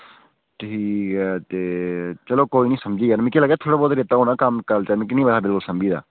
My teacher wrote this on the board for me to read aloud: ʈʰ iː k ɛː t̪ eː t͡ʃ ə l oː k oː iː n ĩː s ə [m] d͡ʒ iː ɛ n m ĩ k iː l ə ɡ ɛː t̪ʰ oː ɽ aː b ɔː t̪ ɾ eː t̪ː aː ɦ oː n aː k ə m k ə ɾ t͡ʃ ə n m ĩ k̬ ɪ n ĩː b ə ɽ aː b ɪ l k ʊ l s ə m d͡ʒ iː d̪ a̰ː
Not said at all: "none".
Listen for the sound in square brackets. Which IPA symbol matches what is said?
m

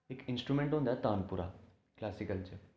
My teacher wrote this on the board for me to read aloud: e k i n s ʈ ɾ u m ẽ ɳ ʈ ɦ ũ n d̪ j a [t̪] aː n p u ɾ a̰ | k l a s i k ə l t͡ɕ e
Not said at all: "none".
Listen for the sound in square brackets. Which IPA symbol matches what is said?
t̪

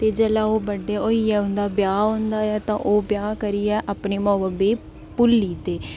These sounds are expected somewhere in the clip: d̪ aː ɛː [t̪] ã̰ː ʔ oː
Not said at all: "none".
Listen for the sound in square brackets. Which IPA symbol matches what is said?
t̪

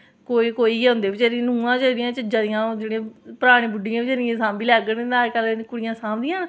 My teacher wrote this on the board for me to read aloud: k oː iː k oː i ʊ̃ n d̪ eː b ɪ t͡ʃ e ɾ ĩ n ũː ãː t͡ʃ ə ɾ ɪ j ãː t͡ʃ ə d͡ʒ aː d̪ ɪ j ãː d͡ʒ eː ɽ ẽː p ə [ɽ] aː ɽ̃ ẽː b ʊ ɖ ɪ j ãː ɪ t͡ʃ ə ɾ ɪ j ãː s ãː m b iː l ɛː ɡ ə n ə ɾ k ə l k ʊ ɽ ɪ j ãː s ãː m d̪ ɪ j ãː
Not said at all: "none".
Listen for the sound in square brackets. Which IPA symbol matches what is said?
ɾ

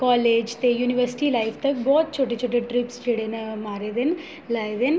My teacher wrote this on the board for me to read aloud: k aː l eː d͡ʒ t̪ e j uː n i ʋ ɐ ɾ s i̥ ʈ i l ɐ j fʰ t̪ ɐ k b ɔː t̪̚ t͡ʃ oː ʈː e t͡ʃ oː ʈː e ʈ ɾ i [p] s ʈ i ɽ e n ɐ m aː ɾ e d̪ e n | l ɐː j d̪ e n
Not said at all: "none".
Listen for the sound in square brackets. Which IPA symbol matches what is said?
p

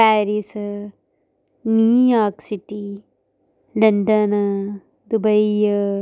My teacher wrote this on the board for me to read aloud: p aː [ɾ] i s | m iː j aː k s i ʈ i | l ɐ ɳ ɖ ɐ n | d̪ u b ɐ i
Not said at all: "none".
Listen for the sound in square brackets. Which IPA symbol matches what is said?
ɾ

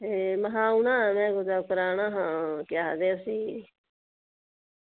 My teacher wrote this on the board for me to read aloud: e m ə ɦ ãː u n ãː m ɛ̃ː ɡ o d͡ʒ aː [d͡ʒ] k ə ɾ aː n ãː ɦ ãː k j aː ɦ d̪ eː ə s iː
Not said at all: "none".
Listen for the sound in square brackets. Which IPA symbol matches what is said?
none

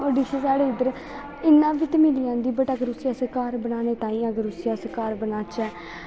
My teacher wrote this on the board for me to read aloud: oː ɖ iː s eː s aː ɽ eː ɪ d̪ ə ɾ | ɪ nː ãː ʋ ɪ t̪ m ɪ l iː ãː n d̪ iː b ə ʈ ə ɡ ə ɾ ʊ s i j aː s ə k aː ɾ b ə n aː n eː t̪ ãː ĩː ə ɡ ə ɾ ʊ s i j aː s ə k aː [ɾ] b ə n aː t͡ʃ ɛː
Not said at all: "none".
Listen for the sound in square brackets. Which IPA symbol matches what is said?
ɾ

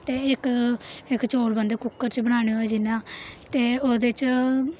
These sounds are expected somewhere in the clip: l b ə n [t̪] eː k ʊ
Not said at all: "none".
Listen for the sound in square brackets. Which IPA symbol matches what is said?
d̪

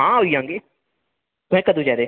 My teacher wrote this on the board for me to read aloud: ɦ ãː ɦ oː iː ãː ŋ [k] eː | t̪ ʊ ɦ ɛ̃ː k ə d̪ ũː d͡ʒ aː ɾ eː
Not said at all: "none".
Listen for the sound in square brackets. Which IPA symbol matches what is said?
ɡ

